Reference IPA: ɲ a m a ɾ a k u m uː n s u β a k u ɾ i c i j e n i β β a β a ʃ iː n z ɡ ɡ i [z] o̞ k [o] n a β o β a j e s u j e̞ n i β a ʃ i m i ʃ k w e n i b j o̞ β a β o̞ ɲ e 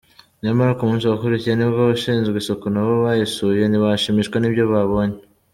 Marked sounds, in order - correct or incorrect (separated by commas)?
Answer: incorrect, correct